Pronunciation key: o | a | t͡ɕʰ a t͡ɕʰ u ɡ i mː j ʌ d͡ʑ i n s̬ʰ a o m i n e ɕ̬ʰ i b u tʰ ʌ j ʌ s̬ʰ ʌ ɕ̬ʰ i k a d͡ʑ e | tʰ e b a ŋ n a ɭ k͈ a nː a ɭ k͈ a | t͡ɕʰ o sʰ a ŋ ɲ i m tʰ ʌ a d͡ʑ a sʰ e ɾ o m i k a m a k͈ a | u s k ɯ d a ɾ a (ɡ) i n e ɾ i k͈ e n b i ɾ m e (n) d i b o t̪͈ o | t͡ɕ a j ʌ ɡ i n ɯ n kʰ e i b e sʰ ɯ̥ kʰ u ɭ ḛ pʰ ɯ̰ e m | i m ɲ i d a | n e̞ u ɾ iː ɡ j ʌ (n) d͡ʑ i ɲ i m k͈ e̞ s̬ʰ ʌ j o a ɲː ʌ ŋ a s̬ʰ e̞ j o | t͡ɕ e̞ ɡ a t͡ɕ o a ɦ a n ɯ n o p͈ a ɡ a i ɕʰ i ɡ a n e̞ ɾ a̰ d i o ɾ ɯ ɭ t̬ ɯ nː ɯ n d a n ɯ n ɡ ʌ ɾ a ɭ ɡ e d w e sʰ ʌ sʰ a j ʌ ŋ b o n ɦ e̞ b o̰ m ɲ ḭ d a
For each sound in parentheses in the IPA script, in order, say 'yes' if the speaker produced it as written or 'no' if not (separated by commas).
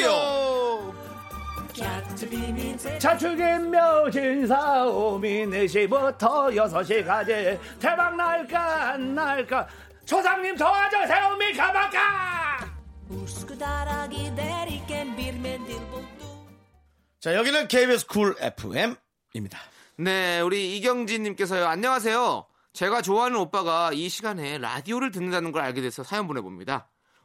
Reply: yes, yes, no